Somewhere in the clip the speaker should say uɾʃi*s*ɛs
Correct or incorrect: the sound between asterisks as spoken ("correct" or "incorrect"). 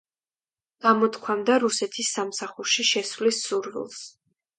incorrect